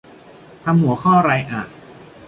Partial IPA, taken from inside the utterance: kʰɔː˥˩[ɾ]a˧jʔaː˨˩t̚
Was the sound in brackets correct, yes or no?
yes